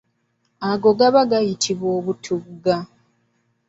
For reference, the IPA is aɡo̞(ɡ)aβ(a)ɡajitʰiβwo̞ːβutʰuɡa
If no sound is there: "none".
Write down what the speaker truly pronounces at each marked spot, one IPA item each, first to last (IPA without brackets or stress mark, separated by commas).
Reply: ɡ, a